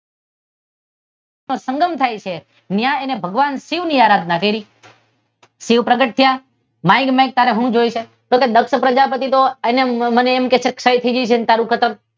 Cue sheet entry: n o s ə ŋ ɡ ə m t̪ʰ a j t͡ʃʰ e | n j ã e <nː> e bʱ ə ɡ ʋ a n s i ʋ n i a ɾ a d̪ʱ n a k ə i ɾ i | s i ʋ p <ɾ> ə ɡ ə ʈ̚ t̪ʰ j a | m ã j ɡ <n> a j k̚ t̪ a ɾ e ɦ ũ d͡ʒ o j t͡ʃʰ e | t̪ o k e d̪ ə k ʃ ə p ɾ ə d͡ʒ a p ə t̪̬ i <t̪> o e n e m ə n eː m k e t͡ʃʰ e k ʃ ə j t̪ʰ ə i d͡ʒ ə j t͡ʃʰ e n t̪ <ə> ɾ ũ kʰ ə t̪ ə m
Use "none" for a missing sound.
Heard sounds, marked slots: n, ɾ, m, t̪, a

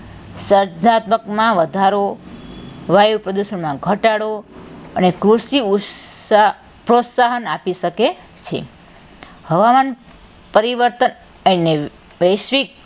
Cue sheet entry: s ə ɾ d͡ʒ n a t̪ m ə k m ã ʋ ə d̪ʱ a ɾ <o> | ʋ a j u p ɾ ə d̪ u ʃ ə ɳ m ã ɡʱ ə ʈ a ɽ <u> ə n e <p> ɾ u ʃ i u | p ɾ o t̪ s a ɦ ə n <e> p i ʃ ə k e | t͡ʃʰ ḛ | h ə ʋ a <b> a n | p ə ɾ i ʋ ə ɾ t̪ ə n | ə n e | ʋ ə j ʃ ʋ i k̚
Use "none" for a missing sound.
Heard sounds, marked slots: o, o, k, a, m

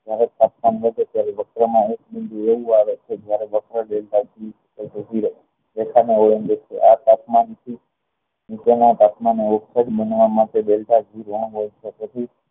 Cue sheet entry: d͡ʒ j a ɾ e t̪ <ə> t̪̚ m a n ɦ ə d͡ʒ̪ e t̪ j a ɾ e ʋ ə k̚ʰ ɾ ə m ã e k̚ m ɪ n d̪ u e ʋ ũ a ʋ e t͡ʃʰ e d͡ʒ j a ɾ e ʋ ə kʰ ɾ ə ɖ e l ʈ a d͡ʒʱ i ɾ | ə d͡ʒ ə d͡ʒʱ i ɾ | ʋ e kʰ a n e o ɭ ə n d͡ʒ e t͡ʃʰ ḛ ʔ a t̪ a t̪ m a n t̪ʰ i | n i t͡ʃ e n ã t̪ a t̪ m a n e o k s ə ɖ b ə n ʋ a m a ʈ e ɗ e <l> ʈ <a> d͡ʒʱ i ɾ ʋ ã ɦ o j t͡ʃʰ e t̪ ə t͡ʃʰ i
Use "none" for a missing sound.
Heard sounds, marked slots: a, l, a

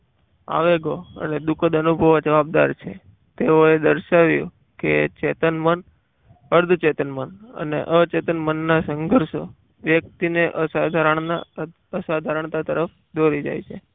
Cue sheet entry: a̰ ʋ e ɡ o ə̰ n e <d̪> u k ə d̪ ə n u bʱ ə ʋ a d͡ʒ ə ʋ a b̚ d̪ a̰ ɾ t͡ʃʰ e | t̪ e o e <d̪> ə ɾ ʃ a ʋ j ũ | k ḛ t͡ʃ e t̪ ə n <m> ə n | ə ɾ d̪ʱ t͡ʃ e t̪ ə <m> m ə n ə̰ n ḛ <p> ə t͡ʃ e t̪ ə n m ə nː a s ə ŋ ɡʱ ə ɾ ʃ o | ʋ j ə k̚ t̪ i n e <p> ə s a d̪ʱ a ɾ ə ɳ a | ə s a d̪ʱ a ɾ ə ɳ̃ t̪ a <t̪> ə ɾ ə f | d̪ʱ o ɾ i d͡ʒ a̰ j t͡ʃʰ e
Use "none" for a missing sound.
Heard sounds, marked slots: d̪, d̪, m, n, ʔ, ʔ, t̪

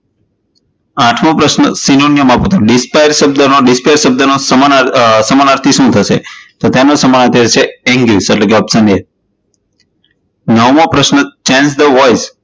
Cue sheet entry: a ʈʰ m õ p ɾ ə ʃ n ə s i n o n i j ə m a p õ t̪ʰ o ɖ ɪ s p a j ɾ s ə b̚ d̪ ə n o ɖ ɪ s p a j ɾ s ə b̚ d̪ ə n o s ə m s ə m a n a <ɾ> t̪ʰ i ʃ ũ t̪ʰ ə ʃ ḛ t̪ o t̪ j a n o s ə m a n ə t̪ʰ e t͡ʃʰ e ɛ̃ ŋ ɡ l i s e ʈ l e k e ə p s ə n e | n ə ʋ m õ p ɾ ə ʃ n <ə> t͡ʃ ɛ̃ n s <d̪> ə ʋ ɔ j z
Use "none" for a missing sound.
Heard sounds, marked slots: ɾ, ə, d̪

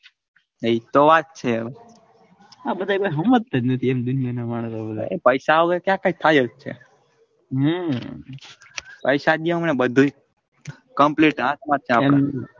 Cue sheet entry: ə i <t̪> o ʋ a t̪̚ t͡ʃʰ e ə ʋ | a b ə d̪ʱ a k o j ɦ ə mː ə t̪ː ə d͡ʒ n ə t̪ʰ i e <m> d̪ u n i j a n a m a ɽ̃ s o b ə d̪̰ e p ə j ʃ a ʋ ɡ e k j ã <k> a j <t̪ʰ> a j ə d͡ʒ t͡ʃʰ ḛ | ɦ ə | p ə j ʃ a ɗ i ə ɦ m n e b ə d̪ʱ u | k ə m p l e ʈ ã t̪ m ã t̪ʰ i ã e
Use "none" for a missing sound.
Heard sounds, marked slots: t̪, m, k, t̪ʰ

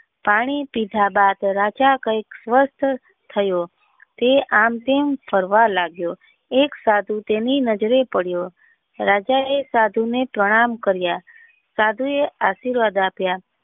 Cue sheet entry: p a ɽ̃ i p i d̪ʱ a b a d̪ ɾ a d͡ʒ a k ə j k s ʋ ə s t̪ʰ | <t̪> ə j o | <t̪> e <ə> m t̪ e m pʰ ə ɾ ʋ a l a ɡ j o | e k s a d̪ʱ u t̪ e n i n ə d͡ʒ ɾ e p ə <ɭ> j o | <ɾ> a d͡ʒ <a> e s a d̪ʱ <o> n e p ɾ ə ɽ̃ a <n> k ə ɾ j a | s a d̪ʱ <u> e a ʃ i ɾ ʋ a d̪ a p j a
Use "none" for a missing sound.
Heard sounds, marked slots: t̪ʰ, t̪, a, ɽ, ɾ, a, u, m, u

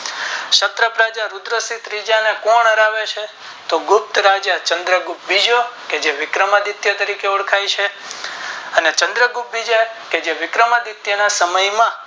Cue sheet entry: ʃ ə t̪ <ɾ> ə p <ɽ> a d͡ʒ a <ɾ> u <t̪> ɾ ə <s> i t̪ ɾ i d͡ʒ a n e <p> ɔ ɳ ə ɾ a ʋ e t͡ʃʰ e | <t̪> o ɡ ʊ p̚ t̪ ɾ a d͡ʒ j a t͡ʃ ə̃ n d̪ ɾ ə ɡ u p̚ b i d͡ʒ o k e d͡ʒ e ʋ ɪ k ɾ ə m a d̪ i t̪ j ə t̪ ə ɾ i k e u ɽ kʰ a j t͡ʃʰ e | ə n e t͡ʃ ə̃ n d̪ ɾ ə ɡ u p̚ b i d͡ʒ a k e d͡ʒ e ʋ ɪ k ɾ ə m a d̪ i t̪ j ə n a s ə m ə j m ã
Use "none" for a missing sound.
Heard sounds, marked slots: ɾ, ɾ, ɾ, d̪, s, k, t̪

